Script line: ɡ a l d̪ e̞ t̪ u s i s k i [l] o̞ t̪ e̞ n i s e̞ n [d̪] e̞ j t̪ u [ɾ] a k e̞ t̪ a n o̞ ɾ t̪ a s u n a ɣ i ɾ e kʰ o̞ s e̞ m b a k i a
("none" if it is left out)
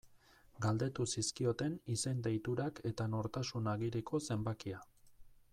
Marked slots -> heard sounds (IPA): none, d̪, ɾ

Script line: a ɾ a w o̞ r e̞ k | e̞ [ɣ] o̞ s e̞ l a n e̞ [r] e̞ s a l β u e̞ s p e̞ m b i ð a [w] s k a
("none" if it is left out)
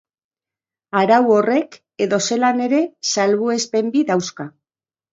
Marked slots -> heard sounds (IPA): ð, ɾ, w

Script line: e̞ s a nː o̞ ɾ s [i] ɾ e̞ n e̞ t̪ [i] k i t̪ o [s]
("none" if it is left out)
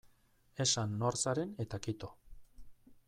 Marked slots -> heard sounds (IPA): a, a, none

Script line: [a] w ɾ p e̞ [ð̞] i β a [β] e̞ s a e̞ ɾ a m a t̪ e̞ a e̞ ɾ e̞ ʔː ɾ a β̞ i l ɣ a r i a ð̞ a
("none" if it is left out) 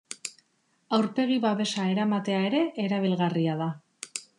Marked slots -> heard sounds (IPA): a, ɣ̞, β

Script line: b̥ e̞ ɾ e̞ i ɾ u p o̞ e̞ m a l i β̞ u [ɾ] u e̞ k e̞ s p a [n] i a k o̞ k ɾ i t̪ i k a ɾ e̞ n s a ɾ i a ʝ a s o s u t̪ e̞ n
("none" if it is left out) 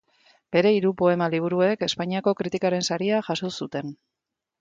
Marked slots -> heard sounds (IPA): ɾ, ɲ

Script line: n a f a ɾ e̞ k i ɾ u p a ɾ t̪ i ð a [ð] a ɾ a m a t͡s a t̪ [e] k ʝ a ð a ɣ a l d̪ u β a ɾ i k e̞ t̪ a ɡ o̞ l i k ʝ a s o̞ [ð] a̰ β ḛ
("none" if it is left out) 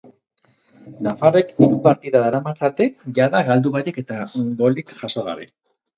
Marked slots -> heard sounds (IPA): ð, e, ɣ

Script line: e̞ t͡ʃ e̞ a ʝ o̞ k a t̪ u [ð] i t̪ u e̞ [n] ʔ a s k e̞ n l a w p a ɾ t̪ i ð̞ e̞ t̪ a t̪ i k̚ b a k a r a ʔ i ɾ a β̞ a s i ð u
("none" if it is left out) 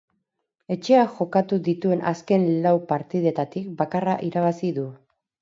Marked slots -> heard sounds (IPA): ð, n

